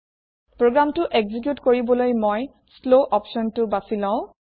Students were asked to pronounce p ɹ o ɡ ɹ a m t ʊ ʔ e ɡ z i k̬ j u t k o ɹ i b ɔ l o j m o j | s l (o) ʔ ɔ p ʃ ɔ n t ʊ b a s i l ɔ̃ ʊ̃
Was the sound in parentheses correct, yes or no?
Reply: yes